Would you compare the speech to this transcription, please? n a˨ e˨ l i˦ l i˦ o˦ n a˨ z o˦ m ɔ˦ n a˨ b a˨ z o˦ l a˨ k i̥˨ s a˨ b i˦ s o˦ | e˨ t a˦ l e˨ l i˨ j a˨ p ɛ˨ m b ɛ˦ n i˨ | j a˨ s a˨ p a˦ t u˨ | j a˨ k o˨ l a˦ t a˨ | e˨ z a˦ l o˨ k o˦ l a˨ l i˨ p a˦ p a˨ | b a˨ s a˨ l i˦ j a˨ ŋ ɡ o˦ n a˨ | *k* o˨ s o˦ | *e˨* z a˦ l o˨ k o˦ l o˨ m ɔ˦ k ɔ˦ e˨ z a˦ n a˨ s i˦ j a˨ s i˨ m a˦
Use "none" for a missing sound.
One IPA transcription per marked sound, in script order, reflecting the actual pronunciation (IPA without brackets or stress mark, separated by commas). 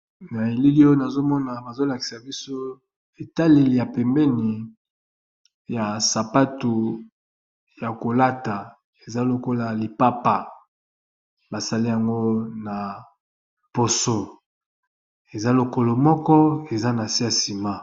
p, e˨